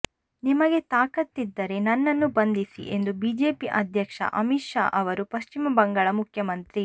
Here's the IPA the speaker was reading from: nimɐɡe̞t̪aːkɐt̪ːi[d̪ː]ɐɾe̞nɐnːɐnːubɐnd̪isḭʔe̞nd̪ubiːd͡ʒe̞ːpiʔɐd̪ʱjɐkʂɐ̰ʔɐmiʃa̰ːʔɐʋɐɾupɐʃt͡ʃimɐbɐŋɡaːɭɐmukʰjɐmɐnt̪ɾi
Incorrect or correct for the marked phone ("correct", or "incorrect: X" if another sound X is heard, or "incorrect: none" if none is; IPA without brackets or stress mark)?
correct